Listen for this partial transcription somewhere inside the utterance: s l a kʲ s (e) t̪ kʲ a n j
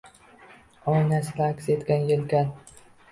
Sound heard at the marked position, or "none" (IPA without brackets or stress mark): e